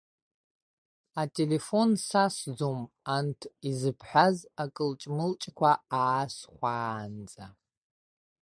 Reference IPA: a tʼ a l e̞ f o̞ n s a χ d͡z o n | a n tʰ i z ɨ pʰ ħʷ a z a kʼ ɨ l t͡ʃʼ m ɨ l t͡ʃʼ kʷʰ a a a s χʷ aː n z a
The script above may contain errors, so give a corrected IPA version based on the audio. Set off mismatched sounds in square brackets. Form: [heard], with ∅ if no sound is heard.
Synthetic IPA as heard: a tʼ [e] l e̞ f o̞ n s a [s] d͡z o [m] | a n tʰ i z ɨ pʰ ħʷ a z a kʼ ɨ l t͡ʃʼ m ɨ l t͡ʃʼ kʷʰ a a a s χʷ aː n [d͡z] a